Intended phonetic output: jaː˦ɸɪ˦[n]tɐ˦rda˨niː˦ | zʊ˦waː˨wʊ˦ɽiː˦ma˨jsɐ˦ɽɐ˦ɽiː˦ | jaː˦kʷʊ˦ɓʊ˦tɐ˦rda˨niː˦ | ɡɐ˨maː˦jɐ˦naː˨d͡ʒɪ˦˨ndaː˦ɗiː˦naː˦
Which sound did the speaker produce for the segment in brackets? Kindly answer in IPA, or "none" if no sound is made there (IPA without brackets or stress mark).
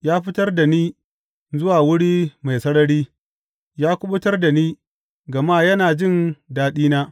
none